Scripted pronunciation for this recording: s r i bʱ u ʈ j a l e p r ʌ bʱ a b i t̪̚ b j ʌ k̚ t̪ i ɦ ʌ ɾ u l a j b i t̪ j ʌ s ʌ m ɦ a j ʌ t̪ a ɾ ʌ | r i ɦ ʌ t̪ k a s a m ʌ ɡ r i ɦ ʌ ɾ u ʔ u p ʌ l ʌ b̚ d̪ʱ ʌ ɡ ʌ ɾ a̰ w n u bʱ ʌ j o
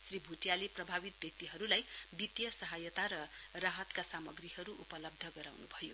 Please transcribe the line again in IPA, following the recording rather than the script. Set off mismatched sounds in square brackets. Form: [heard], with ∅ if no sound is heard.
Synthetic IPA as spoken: s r i bʱ u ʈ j a l e p r ʌ bʱ a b i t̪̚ b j ʌ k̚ t̪ i ɦ ʌ ɾ u l a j b i t̪ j ʌ s ʌ [∅] ɦ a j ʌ t̪ a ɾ ʌ | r [a] ɦ ʌ t̪ k a s a m ʌ ɡ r i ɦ ʌ ɾ u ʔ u p ʌ l ʌ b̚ d̪ʱ ʌ ɡ ʌ ɾ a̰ w n u bʱ ʌ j o